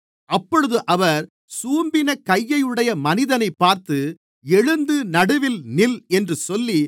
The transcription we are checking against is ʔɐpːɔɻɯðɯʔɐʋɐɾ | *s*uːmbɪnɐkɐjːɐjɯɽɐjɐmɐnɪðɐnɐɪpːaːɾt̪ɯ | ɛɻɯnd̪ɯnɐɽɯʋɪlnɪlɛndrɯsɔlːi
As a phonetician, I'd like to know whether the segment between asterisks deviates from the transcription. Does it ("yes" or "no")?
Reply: no